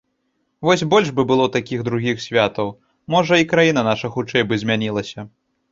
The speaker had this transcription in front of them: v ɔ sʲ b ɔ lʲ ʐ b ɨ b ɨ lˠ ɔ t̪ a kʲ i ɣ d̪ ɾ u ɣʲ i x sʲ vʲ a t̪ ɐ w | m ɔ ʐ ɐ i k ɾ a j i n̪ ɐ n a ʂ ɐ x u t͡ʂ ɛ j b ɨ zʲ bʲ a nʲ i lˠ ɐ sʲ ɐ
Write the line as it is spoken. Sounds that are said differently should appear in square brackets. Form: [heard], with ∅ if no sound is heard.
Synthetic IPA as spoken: v ɔ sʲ b ɔ lʲ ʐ b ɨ b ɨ lˠ ɔ t̪ a kʲ i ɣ d̪ ɾ u ɣʲ i x sʲ vʲ a t̪ ɐ w | m ɔ ʐ ɐ i k ɾ a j i n̪ ɐ n a ʂ ɐ x u t͡ʂ ɛ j b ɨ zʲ [mʲ] a nʲ i lˠ ɐ sʲ ɐ

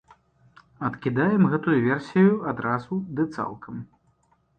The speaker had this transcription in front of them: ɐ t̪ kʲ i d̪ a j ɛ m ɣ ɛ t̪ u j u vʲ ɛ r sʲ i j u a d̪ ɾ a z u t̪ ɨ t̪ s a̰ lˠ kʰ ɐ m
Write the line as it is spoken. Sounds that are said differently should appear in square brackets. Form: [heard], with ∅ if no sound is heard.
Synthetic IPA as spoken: ɐ t̪ kʲ i d̪ a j ɛ m ɣ ɛ t̪ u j u vʲ ɛ r sʲ i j u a d̪ ɾ a z u [d̪] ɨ t̪ s a̰ lˠ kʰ ɐ m

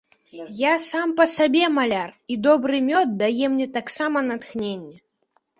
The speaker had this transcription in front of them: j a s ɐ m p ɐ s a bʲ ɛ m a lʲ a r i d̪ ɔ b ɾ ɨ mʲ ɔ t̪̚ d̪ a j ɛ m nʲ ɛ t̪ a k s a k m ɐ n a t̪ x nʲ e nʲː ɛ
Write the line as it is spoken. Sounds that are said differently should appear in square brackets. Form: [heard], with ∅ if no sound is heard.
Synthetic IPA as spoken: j a s [a] m p ɐ s a bʲ ɛ m a lʲ a r i d̪ ɔ b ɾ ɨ mʲ ɔ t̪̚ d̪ a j ɛ m nʲ ɛ t̪ a k s a [∅] m ɐ n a t̪ x nʲ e nʲː ɛ

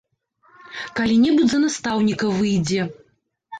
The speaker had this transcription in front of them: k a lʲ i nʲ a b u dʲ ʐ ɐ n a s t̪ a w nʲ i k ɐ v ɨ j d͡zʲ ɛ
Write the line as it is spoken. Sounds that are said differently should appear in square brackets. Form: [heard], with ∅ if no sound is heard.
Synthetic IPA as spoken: k a lʲ i nʲ [ɛ] b u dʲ [z] ɐ n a s t̪ a w nʲ i k ɐ v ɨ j d͡zʲ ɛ

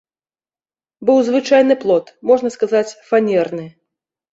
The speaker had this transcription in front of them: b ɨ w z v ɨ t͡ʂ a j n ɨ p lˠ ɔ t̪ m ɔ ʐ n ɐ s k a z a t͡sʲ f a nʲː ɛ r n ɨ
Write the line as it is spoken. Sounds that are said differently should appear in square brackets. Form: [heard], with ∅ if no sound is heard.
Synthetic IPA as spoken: b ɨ w z v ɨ t͡ʂ a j n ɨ p lˠ ɔ t̪ m ɔ ʐ n ɐ s k a z a t͡sʲ f a [nʲ] ɛ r n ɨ

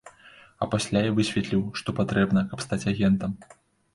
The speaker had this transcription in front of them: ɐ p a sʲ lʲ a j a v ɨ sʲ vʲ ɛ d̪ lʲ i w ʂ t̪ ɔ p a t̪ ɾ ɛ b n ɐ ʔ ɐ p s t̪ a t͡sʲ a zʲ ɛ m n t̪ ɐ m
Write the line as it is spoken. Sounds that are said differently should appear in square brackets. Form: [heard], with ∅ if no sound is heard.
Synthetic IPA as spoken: ɐ p a sʲ lʲ a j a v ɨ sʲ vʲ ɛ [t̪] lʲ i w ʂ t̪ ɔ p a t̪ ɾ ɛ b n ɐ [k] ɐ p s t̪ a t͡sʲ a [ɣʲ] ɛ [∅] n t̪ ɐ m

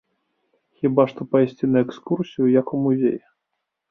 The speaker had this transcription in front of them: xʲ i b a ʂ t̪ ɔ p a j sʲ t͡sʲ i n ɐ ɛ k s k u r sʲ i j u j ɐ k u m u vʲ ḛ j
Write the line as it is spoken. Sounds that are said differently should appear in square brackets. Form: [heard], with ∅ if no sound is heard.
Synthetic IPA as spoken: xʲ i b a ʂ t̪ ɔ p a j sʲ t͡sʲ i n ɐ ɛ k s k u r sʲ i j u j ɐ k u m u [zʲ] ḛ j

